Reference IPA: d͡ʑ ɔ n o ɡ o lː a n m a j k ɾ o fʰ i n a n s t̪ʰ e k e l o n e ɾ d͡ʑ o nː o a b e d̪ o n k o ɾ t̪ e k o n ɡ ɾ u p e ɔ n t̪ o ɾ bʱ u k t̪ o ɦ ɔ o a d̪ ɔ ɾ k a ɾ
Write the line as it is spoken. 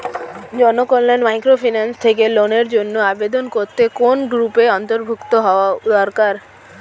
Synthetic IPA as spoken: d͡ʑ ɔ n o k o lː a n m a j k ɾ o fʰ i n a n s t̪ʰ e k e l o n e ɾ d͡ʑ o nː o a b e d̪ o n k o ɾ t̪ e k o n ɡ ɾ u p e ɔ n t̪ o ɾ bʱ u k t̪ o ɦ ɔ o a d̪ ɔ ɾ k a ɾ